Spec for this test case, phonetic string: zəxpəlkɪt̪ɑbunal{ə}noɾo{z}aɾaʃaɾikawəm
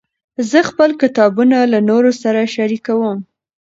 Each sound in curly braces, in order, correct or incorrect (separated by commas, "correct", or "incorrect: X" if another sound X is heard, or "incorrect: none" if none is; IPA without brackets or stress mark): incorrect: a, incorrect: s